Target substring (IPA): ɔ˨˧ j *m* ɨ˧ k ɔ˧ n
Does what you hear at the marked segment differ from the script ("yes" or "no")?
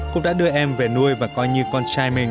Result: yes